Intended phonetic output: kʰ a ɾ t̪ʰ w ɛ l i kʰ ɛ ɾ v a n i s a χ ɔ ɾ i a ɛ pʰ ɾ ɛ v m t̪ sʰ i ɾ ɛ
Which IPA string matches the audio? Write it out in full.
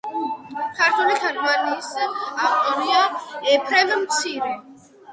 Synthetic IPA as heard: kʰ a ɾ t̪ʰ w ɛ l i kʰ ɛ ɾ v a n i s a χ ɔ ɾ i a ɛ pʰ ɾ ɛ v m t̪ sʰ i ɾ ɛ